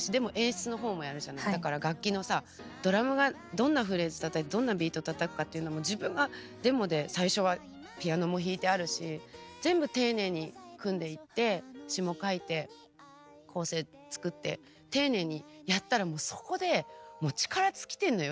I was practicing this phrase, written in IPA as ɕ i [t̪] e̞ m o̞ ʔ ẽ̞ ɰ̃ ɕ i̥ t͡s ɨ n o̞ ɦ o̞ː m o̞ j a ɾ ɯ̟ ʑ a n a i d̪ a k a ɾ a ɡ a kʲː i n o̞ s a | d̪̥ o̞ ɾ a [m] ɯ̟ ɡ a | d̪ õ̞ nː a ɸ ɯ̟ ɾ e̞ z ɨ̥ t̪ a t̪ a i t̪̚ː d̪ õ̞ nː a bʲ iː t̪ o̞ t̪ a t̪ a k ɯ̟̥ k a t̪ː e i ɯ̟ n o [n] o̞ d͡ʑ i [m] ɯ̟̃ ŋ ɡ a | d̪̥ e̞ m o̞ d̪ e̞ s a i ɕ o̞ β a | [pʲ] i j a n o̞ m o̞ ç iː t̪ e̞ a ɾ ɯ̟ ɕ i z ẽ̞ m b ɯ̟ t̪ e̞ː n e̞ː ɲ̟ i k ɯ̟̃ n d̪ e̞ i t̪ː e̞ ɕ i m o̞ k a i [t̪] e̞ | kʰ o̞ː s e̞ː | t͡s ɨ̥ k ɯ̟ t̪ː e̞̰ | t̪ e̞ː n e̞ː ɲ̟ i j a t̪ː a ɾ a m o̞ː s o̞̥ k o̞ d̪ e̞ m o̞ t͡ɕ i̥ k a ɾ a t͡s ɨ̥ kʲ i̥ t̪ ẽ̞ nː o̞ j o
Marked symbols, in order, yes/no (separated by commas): no, yes, no, no, yes, yes